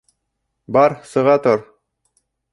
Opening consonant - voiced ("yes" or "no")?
yes